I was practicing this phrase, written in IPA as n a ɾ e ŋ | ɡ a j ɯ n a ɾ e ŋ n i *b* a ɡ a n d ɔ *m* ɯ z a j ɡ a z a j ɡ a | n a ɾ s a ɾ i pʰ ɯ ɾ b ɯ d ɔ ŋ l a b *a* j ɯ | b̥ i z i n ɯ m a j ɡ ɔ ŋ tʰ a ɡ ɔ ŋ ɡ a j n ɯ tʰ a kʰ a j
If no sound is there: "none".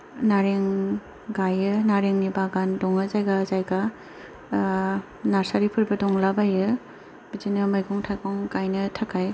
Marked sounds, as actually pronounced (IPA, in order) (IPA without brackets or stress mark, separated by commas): b, ŋ, a